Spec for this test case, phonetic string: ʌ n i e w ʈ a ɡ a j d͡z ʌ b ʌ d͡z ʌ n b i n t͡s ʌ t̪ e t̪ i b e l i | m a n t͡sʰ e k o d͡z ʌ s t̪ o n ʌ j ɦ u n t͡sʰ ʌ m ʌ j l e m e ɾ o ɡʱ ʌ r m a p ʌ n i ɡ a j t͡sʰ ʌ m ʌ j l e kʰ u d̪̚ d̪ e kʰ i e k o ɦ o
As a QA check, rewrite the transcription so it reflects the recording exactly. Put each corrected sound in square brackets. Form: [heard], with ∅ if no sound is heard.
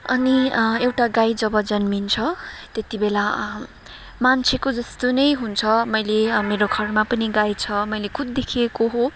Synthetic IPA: ʌ n i e w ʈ a ɡ a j d͡z ʌ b ʌ d͡z ʌ n [m] i n [t͡sʰ] ʌ t̪ e t̪ i b e l [a] | m a n t͡sʰ e k o d͡z ʌ s t̪ o n ʌ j ɦ u n t͡sʰ ʌ m ʌ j l e m e ɾ o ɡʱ ʌ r m a p ʌ n i ɡ a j t͡sʰ ʌ m ʌ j l e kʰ u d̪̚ d̪ e kʰ i e k o ɦ o